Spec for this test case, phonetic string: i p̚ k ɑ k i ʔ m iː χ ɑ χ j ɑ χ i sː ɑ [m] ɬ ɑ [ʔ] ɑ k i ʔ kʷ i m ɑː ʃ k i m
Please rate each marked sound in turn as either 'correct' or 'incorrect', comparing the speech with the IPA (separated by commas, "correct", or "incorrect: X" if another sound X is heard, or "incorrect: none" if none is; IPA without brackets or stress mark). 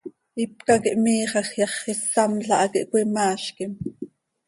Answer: correct, correct